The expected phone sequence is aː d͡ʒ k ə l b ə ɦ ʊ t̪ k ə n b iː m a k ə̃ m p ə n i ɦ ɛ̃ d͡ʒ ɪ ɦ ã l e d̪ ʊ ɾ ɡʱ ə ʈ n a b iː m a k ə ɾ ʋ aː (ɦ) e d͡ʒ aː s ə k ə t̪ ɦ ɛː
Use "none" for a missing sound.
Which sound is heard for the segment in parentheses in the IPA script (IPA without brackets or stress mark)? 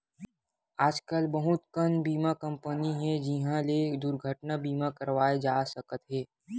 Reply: none